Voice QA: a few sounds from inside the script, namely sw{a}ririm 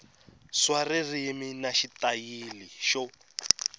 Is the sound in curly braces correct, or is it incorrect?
correct